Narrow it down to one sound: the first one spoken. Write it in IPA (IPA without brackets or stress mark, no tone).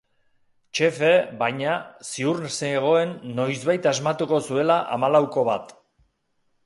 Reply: t͡ʃ